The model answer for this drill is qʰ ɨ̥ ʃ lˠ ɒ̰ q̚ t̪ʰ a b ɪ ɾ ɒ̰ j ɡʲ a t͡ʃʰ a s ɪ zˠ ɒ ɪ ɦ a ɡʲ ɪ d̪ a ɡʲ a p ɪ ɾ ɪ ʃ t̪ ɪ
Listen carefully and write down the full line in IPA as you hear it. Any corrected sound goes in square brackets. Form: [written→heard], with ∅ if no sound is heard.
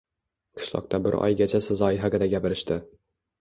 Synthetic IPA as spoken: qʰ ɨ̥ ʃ lˠ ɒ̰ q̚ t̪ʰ a b ɪ ɾ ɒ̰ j ɡʲ a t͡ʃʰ a s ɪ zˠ ɒ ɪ ɦ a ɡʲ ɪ d̪ a ɡʲ a p ɪ ɾ ɪ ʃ t̪ ɪ